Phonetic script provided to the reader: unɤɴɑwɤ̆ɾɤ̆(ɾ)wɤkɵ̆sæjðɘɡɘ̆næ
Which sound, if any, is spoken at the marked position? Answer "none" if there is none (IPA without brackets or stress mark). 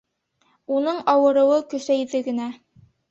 none